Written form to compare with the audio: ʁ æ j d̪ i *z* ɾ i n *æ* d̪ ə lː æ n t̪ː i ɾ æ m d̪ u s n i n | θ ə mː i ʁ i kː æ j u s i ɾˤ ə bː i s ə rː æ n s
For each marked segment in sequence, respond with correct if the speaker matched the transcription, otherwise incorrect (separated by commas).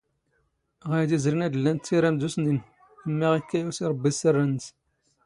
correct, correct